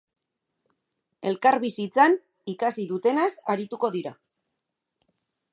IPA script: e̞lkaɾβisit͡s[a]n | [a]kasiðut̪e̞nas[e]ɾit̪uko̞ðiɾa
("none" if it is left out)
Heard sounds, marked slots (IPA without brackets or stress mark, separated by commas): a, i, a